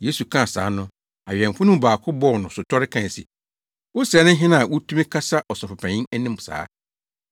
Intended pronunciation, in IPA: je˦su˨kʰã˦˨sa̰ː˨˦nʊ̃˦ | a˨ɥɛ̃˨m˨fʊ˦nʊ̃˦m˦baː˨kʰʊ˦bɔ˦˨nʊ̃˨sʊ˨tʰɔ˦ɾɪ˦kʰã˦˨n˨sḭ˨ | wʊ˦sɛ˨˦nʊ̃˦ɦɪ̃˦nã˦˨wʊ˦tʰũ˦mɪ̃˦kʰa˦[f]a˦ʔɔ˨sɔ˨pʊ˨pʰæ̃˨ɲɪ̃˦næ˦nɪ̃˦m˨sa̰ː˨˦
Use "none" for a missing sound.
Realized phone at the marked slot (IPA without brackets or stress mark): s